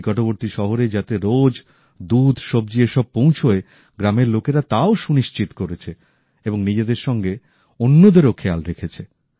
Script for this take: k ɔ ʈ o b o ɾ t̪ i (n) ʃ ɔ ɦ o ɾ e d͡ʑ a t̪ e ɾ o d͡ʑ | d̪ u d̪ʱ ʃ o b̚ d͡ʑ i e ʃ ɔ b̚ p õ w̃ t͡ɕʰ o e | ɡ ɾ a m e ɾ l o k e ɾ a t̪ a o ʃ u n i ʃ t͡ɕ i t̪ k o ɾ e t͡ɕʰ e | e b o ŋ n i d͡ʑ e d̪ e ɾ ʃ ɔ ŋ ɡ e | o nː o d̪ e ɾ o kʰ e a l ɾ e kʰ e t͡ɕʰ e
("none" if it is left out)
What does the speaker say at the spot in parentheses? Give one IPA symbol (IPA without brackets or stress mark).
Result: none